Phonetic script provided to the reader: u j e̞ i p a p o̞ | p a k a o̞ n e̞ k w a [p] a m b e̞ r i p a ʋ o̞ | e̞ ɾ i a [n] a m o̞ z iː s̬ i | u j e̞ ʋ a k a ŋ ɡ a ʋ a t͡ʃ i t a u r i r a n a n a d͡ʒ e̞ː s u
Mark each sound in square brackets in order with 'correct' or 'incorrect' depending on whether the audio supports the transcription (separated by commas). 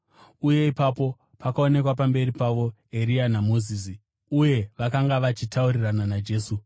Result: correct, correct